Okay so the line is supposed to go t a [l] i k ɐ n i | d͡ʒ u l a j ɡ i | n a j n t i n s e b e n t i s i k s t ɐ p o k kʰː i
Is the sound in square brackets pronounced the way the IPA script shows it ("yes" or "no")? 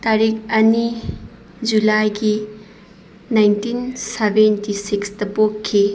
no